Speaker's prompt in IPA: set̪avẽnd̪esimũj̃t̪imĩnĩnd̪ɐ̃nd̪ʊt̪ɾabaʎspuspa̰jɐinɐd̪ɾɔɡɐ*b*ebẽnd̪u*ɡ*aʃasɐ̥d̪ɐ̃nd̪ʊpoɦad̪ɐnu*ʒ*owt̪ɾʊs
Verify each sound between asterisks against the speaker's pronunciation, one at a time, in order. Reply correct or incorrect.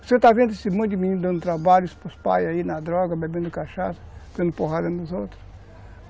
correct, incorrect: k, incorrect: z

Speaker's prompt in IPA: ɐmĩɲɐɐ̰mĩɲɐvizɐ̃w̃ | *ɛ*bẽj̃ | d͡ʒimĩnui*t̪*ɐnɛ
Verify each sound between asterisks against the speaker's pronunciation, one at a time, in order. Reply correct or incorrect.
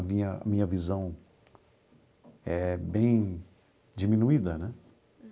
correct, incorrect: d̪

